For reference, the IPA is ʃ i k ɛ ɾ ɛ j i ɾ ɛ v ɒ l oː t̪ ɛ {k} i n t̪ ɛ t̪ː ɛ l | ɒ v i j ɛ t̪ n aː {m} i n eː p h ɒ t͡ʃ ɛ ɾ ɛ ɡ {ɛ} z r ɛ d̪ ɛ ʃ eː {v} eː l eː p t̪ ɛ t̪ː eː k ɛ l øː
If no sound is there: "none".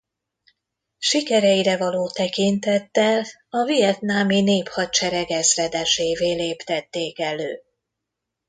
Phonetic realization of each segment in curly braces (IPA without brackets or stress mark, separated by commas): k, m, ɛ, v